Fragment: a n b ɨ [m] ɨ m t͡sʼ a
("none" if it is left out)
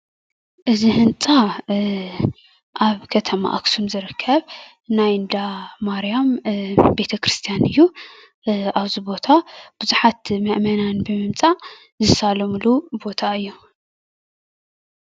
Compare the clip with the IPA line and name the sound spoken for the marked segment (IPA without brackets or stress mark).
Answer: m